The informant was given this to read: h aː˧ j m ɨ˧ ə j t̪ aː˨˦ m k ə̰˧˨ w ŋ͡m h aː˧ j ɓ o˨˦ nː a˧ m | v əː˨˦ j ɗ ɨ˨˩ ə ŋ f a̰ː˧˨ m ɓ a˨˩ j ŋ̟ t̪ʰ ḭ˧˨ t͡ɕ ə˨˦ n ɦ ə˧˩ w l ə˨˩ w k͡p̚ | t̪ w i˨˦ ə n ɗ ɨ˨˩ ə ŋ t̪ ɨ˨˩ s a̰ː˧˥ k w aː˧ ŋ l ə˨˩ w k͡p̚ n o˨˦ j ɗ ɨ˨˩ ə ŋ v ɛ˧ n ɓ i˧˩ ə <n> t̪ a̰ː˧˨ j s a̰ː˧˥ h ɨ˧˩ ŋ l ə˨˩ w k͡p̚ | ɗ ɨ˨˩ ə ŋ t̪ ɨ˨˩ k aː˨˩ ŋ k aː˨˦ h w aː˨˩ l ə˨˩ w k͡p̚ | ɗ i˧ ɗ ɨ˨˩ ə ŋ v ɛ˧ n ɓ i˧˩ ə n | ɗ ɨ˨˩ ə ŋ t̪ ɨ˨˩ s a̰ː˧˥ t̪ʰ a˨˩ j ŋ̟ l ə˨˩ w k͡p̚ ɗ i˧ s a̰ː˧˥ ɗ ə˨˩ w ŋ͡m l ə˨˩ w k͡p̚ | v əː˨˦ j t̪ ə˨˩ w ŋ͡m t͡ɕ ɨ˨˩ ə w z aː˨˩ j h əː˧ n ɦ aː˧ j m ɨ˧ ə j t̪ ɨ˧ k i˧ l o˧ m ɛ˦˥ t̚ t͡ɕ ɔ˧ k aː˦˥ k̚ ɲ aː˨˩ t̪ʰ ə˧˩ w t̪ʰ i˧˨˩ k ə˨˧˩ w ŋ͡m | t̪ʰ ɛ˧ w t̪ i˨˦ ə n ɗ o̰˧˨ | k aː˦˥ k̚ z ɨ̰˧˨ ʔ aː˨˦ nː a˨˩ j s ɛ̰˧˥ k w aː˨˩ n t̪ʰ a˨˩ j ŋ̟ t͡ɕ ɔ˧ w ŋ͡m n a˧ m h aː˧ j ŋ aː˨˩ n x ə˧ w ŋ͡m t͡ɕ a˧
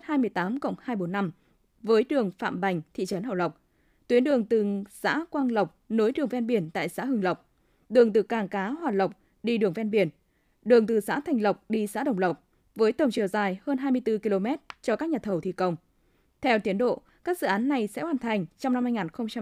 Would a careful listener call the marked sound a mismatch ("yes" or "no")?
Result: no